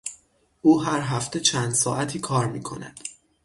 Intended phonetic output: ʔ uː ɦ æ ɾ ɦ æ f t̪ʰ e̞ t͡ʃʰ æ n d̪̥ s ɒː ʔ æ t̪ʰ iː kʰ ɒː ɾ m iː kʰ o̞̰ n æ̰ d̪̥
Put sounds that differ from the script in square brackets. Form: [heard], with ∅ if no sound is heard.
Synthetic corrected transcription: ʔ uː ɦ æ ɾ ɦ æ f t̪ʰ e̞ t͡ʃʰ æ n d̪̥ s ɒː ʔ æ t̪ʰ iː kʰ ɒː ɾ m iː kʰ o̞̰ n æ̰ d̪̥